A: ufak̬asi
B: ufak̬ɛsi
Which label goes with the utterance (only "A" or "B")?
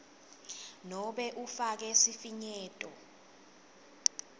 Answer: B